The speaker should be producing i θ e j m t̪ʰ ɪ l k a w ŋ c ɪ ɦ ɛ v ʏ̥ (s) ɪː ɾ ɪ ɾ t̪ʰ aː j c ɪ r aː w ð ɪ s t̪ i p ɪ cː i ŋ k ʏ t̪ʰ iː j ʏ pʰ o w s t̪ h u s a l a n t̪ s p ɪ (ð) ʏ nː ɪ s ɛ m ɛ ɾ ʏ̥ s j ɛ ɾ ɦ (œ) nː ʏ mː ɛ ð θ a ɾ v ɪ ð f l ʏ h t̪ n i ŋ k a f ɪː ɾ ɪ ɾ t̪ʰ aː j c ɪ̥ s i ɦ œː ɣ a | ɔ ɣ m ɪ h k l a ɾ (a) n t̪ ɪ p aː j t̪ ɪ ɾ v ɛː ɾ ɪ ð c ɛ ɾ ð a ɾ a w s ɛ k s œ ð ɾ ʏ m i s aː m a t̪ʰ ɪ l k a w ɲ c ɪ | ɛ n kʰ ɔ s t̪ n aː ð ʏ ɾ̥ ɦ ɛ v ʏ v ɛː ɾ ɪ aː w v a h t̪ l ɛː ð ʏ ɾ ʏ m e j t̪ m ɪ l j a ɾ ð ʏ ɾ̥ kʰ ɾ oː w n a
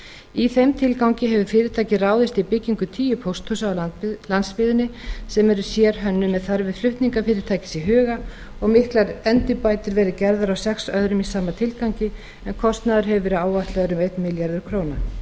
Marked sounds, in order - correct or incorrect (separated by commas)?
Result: incorrect, correct, correct, incorrect